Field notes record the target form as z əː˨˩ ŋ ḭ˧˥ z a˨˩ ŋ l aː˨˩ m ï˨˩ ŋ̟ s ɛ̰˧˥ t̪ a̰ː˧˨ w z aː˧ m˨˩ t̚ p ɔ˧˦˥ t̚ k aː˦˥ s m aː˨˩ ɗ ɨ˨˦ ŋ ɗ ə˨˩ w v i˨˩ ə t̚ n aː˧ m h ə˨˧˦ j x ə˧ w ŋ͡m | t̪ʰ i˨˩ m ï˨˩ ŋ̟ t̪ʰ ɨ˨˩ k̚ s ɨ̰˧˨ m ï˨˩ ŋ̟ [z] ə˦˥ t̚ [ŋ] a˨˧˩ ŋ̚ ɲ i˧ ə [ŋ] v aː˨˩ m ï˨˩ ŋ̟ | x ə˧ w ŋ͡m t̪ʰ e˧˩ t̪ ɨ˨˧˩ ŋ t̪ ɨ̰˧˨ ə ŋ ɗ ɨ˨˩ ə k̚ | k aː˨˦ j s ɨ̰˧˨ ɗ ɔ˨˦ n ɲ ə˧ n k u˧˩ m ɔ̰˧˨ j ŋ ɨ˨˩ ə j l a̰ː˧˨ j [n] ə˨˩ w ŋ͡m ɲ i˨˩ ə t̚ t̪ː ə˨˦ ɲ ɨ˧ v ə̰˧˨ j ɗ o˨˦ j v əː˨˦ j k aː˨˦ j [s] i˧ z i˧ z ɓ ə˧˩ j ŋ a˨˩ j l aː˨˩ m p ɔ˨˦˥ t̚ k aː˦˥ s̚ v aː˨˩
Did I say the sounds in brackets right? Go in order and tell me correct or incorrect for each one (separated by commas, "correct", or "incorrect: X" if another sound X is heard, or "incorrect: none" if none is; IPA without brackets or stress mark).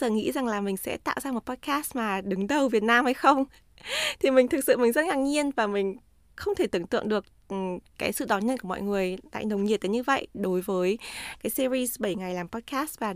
correct, correct, incorrect: n, correct, correct